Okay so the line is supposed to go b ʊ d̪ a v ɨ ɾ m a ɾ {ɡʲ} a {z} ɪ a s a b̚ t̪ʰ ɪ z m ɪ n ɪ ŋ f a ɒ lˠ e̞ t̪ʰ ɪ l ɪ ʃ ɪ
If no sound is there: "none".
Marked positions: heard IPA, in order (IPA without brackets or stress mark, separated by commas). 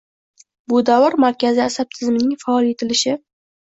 kʲ, z